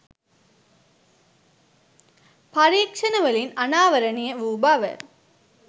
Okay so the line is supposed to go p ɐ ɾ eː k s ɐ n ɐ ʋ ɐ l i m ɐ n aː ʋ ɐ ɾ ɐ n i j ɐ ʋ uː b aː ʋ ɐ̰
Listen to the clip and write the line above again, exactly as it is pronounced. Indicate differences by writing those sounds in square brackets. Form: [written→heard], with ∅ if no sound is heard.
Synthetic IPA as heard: p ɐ ɾ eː k [s→ʂ] ɐ n ɐ ʋ ɐ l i [m→n] ɐ n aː ʋ ɐ ɾ ɐ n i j ɐ ʋ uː b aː ʋ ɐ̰